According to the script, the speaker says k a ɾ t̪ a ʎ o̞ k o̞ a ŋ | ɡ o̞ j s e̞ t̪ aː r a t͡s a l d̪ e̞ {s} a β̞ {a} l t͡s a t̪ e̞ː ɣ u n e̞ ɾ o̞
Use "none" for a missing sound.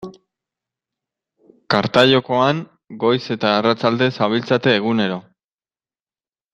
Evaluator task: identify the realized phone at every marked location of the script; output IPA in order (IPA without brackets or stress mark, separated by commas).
s, i